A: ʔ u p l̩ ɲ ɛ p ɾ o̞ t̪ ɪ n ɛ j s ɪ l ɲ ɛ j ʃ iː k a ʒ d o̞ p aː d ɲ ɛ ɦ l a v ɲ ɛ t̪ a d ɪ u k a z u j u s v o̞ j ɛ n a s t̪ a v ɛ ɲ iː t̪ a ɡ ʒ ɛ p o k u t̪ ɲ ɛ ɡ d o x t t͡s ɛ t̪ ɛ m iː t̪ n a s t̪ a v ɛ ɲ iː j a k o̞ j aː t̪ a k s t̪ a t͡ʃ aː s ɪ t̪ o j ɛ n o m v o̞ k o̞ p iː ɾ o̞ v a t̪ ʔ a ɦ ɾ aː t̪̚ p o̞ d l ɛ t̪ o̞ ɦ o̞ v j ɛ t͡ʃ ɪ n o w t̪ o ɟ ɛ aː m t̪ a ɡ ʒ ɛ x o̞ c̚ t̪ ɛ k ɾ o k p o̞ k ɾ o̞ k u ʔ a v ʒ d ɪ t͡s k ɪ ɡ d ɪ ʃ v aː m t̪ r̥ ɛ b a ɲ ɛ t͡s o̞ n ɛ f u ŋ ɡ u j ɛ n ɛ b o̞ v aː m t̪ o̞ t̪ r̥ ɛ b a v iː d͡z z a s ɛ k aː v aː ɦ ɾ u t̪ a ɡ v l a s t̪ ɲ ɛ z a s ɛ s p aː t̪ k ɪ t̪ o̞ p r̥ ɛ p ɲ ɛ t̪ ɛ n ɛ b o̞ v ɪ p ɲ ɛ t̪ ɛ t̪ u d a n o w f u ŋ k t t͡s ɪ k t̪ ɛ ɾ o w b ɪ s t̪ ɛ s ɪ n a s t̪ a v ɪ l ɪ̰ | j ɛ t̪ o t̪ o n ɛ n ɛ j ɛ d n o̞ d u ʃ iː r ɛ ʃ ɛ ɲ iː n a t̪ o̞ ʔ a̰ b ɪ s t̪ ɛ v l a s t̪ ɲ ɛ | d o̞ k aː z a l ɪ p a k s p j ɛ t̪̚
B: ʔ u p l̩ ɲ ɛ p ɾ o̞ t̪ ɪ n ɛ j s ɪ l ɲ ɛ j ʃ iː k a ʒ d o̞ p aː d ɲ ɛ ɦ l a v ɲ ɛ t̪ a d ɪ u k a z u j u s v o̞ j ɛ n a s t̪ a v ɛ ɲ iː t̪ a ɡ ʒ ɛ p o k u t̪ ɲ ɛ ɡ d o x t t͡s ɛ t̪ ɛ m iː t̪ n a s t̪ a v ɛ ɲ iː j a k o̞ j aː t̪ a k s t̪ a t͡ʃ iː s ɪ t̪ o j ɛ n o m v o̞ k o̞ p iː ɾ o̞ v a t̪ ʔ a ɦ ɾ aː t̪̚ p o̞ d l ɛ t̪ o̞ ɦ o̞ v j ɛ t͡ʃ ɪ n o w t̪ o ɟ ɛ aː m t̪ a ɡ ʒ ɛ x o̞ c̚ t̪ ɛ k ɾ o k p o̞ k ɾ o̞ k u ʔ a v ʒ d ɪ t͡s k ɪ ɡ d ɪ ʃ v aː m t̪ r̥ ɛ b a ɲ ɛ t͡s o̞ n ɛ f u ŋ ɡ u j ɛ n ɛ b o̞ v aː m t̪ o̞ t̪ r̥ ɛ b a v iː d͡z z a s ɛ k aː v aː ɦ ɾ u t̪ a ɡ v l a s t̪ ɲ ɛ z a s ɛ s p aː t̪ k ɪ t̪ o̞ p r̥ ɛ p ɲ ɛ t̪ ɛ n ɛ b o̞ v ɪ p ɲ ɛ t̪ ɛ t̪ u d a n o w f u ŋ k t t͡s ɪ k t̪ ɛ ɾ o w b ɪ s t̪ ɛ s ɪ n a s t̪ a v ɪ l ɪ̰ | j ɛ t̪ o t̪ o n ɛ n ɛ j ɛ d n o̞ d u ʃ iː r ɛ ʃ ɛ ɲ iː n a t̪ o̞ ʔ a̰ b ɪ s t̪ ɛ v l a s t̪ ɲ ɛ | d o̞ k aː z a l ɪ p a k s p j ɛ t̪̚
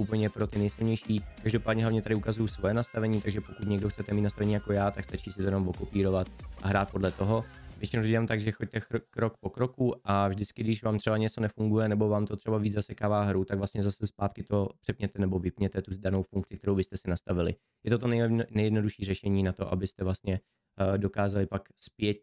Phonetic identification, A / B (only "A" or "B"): B